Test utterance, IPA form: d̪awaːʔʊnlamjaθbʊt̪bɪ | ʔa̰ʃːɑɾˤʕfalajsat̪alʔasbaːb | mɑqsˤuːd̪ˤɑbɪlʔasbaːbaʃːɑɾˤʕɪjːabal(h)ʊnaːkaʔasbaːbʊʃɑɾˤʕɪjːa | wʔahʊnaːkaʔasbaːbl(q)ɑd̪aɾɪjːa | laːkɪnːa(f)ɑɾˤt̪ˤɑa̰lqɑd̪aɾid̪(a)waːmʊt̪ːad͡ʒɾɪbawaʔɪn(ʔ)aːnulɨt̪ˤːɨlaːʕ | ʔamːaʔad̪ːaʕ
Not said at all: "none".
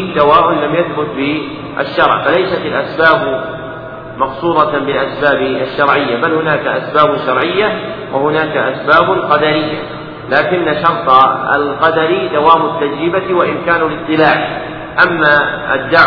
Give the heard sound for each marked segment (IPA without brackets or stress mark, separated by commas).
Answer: h, q, ʃ, a, k